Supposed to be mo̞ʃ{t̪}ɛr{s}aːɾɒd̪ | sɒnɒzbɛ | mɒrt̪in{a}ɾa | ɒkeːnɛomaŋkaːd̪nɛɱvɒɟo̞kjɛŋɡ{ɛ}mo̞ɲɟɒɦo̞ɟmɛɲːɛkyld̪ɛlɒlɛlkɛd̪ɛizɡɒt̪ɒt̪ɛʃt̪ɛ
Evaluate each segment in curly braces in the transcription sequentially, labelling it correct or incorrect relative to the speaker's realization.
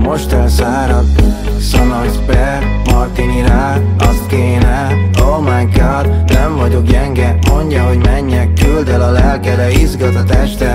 correct, correct, incorrect: i, correct

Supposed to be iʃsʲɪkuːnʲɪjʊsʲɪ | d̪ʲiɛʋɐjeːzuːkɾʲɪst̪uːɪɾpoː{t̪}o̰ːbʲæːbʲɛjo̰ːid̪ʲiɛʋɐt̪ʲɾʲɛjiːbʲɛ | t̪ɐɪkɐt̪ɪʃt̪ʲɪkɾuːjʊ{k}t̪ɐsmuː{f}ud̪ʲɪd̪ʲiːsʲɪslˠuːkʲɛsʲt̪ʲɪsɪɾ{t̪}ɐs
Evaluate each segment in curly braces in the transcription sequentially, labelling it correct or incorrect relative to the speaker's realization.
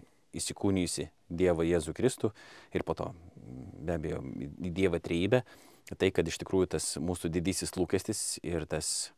correct, incorrect: none, incorrect: s, correct

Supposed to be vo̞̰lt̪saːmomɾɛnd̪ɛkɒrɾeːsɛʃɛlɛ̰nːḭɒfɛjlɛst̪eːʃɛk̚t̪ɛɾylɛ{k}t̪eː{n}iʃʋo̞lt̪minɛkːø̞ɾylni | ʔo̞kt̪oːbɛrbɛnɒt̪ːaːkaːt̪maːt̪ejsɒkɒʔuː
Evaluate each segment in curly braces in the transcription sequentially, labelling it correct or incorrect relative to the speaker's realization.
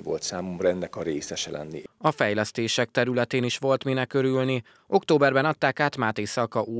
incorrect: none, correct

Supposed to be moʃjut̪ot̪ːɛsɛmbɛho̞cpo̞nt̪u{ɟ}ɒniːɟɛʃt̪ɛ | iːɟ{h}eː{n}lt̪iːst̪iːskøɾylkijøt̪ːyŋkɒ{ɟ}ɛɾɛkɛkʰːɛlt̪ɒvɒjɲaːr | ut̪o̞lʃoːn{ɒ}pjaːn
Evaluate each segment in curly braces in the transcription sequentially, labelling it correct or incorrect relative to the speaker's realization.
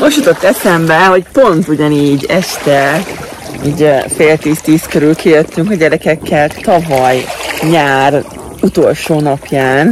correct, incorrect: f, incorrect: none, correct, correct

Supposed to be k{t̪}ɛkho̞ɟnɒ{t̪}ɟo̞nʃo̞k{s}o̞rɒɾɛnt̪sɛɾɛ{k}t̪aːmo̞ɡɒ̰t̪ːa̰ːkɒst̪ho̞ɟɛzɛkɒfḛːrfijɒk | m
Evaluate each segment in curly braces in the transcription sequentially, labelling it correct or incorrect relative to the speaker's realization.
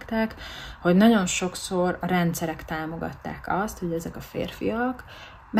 correct, incorrect: none, correct, correct

